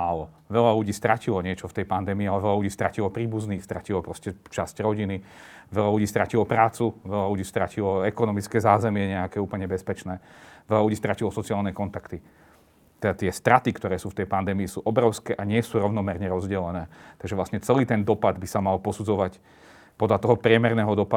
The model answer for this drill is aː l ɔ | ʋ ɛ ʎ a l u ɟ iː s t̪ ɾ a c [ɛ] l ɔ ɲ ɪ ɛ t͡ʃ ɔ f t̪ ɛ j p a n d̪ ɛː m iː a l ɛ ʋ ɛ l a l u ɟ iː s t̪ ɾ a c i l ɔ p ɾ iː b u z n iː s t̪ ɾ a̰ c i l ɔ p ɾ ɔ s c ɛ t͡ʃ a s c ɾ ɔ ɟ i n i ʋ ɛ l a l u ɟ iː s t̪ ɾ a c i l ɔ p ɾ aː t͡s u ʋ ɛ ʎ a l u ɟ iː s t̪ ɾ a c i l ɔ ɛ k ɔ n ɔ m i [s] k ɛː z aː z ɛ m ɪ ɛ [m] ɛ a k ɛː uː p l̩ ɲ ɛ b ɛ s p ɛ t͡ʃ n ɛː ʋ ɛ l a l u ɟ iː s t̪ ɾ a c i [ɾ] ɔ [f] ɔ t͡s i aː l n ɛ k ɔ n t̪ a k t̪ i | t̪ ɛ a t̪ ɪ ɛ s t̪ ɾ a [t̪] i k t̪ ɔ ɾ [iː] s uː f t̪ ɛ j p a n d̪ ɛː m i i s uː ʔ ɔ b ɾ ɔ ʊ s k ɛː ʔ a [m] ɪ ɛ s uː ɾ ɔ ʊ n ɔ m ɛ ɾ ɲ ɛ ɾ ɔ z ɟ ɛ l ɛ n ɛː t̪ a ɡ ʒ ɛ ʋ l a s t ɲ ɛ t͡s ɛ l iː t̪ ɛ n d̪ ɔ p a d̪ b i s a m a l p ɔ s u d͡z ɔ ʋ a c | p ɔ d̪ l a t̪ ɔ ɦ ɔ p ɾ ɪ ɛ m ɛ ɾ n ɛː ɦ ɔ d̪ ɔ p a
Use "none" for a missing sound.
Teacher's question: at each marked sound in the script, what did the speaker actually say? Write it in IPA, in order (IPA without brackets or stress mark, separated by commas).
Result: i, t͡s, ɲ, l, s, t̪, ɛː, ɲ